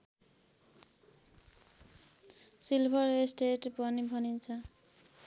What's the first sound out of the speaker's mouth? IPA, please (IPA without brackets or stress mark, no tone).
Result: s